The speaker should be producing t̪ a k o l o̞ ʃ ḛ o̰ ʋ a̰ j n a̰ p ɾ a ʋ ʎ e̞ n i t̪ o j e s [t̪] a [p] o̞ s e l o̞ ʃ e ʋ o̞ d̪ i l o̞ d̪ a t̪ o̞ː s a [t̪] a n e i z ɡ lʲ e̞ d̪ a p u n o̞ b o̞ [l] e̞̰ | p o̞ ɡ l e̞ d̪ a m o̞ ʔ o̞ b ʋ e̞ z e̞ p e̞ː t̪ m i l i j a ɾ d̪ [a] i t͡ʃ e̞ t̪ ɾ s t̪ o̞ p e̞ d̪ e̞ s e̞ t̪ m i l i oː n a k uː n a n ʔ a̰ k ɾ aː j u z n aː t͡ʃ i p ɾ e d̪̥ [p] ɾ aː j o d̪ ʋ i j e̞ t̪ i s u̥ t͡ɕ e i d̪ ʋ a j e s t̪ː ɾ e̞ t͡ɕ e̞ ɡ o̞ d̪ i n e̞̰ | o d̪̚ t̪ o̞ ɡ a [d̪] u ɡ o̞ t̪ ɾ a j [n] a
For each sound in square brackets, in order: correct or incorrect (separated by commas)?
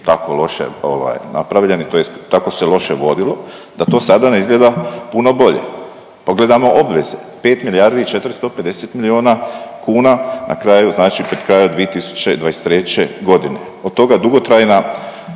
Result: correct, incorrect, incorrect, incorrect, incorrect, incorrect, correct, correct